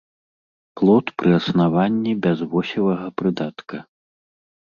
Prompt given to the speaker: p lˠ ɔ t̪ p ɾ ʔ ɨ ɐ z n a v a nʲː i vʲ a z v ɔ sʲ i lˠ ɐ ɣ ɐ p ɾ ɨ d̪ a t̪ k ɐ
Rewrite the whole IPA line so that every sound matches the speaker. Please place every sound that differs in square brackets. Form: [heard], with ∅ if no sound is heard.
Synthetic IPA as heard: p lˠ ɔ t̪ p ɾ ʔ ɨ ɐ [s] n a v a nʲː i [bʲ] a z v ɔ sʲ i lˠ ɐ ɣ ɐ p ɾ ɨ d̪ a t̪ k ɐ